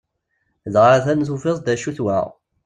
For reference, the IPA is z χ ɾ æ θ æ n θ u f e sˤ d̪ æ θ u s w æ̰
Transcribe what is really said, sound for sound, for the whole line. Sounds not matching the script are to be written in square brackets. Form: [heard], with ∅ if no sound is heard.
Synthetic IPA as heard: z [ʁ] ɾ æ θ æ n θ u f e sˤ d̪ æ [ʃ] u [θ] w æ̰